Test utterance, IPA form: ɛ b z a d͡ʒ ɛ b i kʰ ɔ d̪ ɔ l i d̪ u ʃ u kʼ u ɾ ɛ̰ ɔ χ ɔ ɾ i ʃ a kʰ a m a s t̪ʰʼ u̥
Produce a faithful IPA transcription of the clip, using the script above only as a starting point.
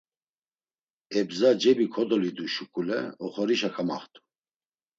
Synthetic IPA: ɛ b z a d͡ʒ ɛ b i kʰ ɔ d̪ ɔ l i d̪ u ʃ u kʼ u l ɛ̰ ɔ χ ɔ ɾ i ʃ a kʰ a m a χ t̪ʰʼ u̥